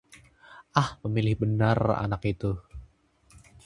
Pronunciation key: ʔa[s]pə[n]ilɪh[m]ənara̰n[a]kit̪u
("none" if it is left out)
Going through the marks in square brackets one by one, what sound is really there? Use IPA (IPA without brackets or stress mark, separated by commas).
h, m, b, a